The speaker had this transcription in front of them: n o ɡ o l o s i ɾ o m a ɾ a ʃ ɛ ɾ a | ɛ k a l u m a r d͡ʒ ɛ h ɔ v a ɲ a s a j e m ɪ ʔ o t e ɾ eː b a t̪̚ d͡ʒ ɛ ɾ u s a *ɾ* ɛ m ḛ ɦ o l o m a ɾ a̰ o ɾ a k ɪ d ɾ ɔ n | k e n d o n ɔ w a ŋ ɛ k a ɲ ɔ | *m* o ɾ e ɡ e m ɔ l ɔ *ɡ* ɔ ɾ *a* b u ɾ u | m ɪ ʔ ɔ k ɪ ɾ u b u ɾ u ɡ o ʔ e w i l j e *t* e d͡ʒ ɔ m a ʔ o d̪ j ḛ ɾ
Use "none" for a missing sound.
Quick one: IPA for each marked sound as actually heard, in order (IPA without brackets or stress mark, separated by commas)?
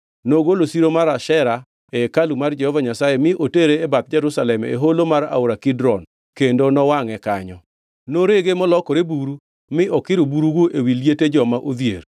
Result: l, n, k, e, t